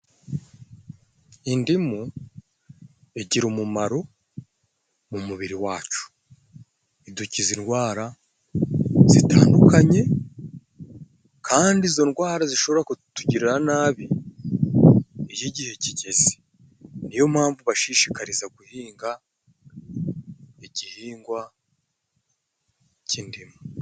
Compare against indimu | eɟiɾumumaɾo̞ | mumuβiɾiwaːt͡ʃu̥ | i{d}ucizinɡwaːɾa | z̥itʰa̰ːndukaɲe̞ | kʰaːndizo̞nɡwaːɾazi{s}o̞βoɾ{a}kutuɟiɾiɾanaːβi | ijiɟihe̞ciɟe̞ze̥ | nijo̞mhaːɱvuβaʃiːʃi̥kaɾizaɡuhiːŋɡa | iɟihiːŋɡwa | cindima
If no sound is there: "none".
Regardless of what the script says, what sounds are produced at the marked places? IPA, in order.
d, ʃ, a

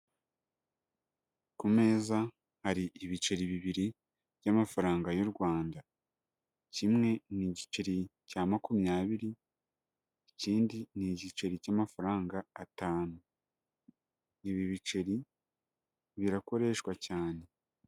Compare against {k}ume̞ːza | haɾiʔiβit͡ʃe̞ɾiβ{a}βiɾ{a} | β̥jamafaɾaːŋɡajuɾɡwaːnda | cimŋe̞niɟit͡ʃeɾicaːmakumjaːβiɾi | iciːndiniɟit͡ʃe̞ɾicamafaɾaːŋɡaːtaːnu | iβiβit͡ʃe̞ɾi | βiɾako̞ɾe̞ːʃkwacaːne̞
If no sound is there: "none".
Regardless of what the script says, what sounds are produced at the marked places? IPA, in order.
k, i, i

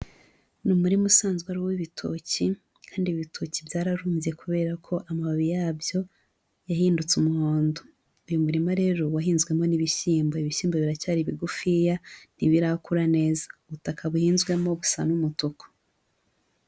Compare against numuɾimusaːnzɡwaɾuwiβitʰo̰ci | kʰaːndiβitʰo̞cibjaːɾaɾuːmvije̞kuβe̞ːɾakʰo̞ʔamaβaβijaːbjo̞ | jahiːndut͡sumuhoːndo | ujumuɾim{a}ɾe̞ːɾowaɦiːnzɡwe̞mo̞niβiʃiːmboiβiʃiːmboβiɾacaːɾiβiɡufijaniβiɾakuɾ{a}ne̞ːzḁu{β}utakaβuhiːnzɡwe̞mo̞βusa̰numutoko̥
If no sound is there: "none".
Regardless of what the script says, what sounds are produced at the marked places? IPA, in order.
a, a, β

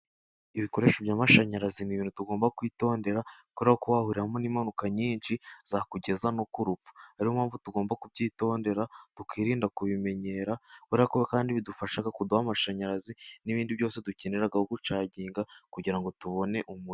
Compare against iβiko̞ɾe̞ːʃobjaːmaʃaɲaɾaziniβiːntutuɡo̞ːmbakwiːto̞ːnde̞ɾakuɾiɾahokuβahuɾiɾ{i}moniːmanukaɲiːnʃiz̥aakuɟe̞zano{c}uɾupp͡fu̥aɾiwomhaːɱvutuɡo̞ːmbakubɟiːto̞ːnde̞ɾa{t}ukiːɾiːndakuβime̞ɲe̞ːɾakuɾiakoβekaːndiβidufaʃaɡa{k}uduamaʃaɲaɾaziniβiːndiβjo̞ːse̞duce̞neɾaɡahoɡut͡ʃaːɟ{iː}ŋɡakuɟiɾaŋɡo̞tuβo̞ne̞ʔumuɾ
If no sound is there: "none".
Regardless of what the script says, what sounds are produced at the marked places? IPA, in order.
a, k, t, k, iː

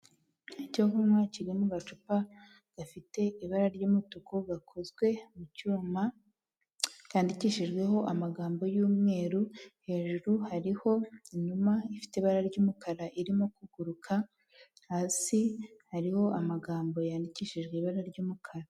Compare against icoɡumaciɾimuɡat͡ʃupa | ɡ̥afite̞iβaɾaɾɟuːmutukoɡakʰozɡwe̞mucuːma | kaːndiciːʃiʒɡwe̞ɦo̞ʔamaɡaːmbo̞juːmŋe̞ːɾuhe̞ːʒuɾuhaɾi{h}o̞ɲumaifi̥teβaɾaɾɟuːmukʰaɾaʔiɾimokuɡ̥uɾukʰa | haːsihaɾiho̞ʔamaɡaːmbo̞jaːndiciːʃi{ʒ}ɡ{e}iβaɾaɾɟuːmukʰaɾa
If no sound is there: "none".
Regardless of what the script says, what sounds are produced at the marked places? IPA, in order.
h, ʒ, e

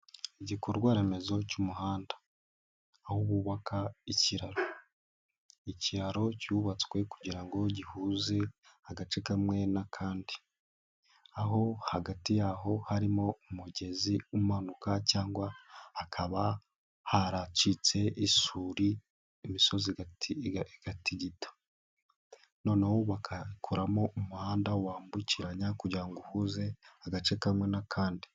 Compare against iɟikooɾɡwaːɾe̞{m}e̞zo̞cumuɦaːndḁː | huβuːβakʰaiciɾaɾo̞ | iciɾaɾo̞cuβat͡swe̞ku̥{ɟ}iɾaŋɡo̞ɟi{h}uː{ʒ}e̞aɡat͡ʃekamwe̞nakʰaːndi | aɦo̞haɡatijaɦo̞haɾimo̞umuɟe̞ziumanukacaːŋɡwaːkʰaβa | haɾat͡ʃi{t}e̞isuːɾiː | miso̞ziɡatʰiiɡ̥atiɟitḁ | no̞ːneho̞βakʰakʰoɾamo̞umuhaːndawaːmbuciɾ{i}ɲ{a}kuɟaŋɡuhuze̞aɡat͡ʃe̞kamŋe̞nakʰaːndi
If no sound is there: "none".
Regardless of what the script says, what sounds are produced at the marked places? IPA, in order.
m, ɟ, h, z, t͡s, a, a

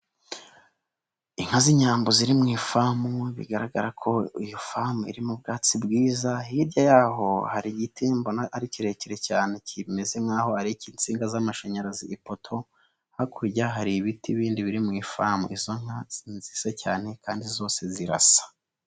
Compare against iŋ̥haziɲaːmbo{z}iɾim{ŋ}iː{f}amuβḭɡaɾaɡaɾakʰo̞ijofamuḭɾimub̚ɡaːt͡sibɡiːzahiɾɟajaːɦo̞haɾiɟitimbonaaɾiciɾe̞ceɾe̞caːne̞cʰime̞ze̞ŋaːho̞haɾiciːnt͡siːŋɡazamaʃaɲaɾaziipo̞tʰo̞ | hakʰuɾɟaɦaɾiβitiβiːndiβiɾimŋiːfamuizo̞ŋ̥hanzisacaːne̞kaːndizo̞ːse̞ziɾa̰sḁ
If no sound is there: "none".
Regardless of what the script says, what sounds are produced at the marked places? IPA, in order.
z, ŋ, f

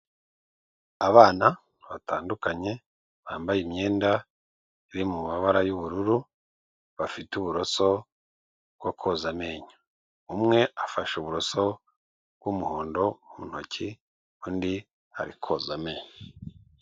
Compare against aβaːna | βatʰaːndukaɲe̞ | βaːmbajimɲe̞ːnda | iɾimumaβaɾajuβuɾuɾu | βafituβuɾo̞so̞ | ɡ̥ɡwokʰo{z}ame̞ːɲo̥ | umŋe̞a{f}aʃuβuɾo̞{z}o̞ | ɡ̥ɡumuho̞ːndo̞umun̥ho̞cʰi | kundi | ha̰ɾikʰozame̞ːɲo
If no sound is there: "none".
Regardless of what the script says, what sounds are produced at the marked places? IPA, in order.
z, f, s

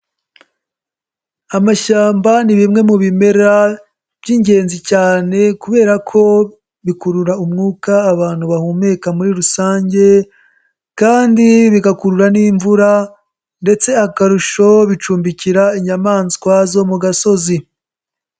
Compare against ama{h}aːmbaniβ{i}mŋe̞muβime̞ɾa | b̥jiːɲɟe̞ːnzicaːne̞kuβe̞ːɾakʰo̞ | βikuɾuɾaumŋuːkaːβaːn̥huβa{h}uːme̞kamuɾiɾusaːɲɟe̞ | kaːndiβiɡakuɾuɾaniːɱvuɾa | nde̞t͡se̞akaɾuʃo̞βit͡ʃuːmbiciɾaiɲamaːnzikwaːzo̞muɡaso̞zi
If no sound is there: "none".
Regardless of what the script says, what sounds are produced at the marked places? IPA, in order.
ʃ, i, h

